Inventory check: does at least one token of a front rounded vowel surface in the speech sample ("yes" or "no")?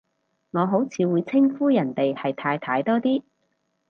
no